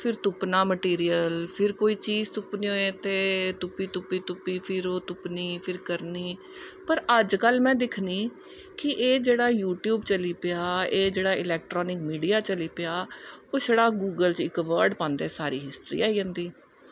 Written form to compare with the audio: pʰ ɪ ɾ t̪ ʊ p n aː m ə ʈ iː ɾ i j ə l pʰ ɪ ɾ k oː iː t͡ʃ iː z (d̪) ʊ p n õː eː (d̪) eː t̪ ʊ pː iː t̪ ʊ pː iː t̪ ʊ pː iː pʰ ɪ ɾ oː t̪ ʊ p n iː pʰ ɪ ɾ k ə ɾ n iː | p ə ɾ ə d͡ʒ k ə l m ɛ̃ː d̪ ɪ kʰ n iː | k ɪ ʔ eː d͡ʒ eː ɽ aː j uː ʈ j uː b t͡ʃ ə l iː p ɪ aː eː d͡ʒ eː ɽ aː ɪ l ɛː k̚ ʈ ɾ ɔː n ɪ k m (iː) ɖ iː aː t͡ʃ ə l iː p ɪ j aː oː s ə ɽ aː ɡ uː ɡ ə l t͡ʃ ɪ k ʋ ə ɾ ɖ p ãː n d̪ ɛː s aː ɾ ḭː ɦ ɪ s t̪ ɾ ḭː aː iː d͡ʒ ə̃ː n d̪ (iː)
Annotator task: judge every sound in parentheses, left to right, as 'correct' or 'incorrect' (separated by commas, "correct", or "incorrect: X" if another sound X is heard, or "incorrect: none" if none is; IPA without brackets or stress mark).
incorrect: t̪, incorrect: t̪, correct, correct